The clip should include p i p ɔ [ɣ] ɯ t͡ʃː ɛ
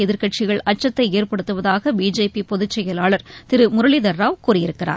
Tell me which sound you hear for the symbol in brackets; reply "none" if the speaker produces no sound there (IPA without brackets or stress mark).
ð